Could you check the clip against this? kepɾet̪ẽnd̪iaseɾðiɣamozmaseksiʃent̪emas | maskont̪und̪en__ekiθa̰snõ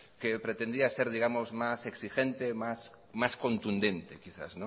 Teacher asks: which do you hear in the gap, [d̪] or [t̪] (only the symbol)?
t̪